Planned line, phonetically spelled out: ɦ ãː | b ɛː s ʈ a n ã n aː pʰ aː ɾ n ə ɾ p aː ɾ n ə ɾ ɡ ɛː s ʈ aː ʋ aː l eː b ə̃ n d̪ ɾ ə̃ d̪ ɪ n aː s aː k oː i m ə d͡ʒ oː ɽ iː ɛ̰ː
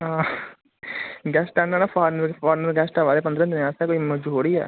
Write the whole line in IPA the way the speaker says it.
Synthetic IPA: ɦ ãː | ɡ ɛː s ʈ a n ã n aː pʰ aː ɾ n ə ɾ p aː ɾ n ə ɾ ɡ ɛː s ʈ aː ʋ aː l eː p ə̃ n d̪ ɾ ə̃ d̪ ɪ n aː s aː k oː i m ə d͡ʒ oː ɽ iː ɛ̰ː

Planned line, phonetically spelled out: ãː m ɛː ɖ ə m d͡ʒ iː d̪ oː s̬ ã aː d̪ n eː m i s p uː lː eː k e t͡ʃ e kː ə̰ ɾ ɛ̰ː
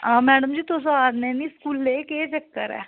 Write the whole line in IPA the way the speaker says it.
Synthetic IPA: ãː m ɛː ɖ ə m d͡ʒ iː t̪ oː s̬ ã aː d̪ n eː n i s k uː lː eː k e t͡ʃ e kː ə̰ ɾ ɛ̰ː

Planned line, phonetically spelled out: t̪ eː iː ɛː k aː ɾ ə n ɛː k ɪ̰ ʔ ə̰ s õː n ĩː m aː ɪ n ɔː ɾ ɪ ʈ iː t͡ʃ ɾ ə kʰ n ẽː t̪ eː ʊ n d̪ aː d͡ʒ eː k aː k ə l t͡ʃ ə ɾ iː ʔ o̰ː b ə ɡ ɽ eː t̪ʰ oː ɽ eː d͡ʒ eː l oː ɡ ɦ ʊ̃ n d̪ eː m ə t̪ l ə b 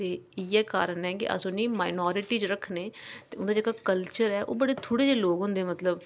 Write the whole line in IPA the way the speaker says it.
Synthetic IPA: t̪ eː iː ɛː k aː ɾ ə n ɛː k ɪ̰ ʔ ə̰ s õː n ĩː m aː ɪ n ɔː ɾ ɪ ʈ iː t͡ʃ ɾ ə kʰ n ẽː t̪ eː ʊ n d̪ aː d͡ʒ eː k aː k ə l t͡ʃ ə ɾ ɛː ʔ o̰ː b ə ɽ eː t̪ʰ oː ɽ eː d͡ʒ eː l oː ɡ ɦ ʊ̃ n d̪ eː m ə t̪ l ə b

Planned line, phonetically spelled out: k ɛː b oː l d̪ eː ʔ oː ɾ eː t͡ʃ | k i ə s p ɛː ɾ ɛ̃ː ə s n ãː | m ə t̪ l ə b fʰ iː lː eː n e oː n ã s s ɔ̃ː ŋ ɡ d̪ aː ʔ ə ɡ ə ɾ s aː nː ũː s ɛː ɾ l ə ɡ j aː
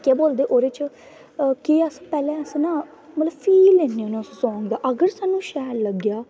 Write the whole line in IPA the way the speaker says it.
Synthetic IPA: k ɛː b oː l d̪ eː ʔ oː ɾ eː t͡ʃ | k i ə s p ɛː l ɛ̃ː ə s n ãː | m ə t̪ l ə b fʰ iː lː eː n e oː n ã s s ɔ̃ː ŋ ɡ d̪ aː ʔ ə ɡ ə ɾ s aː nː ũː ʃ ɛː ɾ l ə ɡ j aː

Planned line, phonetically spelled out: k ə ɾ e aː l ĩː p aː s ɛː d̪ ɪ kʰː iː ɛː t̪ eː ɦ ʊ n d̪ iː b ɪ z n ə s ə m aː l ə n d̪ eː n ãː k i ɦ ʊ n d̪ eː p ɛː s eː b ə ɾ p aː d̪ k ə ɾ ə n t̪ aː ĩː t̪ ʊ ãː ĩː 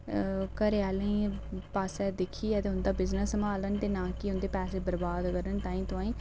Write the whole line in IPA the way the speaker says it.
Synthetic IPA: k ə ɾ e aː l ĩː p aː s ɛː d̪ ɪ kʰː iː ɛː t̪ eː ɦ ʊ n d̪ aː b ɪ z n ə s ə m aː l ə n t̪ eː n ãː k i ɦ ʊ n d̪ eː p ɛː s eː b ə ɾ b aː d̪ k ə ɾ ə n t̪ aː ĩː t̪ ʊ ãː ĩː

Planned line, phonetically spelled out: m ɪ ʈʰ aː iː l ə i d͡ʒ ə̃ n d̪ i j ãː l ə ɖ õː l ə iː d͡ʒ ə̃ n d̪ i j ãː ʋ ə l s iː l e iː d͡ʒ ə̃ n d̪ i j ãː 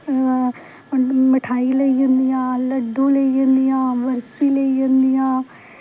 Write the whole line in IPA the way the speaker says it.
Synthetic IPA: m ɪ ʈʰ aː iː l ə i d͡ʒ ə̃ n d̪ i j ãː l ə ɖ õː l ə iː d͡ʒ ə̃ n d̪ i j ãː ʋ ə ɾ s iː l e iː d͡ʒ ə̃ n d̪ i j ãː

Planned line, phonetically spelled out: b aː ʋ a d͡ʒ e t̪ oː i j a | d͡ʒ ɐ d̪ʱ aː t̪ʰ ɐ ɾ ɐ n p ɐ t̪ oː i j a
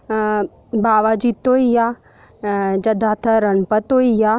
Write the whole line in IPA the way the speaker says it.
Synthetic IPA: b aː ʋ a d͡ʒ i t̪ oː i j a | d͡ʒ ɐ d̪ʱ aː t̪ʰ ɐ ɾ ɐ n p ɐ t̪ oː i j a

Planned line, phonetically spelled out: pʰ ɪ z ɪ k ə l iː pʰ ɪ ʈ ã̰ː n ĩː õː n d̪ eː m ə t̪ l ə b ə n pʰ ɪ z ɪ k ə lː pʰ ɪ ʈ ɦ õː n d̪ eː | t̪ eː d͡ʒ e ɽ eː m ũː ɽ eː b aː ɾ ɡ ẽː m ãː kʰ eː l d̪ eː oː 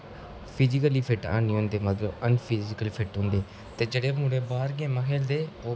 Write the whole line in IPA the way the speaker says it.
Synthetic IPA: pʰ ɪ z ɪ k ə l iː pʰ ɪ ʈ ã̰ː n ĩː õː n d̪ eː m ə t̪ l ə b ə n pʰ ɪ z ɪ k ə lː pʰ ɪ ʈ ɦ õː n d̪ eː | t̪ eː d͡ʒ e ɽ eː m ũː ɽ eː b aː ɾ ɡ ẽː m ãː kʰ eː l d̪ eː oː

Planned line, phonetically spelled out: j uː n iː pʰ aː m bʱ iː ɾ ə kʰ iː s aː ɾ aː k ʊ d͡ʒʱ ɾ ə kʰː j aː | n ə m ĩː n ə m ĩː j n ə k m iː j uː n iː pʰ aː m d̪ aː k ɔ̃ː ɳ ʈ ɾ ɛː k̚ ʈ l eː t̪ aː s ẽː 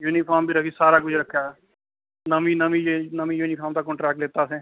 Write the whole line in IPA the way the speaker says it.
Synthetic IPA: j uː n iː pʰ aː m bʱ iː ɾ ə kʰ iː s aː ɾ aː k ʊ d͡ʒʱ ɾ ə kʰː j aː | n ə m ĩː n ə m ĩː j n ə m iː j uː n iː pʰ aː m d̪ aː k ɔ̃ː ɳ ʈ ɾ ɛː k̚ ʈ l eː t̪ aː s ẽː

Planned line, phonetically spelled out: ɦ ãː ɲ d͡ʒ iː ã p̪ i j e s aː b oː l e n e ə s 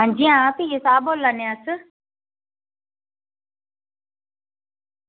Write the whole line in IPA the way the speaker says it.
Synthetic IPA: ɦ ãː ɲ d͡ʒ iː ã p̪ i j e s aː b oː l a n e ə s

